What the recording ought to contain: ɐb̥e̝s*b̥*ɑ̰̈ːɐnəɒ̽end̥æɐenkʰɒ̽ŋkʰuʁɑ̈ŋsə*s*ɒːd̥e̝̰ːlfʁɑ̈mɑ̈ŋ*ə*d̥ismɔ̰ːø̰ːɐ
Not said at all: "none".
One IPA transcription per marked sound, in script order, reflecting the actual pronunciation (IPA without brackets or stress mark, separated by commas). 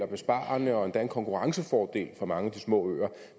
b̥, f, ə